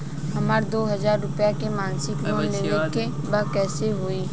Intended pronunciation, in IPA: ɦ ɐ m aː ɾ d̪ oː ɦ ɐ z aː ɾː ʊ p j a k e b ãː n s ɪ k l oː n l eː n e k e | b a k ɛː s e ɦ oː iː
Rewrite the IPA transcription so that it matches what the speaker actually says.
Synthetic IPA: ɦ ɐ m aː ɾ d̪ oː ɦ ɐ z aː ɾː ʊ p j a k e m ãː n s ɪ k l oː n l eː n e k e | b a k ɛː s e ɦ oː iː